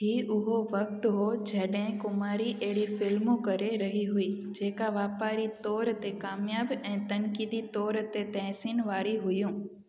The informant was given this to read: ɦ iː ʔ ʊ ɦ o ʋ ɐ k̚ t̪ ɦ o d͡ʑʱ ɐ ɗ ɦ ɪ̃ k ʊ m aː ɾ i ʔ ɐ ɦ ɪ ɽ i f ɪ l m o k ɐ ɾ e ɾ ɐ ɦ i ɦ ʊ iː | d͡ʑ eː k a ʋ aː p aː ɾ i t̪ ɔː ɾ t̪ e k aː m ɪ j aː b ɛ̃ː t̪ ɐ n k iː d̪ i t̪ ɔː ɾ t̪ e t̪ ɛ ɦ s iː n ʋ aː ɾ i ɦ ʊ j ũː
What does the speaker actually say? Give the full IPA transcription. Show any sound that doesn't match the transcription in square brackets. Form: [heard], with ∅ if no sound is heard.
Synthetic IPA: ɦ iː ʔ ʊ ɦ o ʋ ɐ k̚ t̪ ɦ o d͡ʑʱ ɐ ɗ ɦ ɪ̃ k ʊ m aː ɾ i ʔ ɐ ɦ ɪ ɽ i f ɪ l m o k ɐ ɾ e ɾ ɐ ɦ i ɦ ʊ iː | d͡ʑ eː k a ʋ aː p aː ɾ i t̪ ɔː ɾ t̪ e k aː m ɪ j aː b ɛ̃ː t̪ ɐ n k iː d̪ i t̪ ɔː ɾ t̪ e t̪ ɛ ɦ s iː n ʋ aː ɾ i ɦ ʊ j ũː